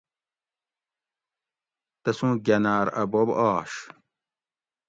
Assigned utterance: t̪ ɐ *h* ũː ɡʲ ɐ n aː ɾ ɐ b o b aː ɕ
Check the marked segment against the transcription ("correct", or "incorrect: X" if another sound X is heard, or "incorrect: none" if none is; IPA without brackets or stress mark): incorrect: s